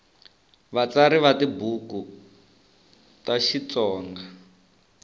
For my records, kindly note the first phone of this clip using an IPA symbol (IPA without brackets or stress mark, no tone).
β